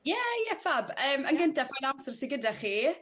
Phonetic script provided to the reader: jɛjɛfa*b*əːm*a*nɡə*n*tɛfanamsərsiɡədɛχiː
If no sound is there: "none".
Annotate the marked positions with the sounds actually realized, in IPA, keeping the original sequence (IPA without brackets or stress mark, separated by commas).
b, ə, n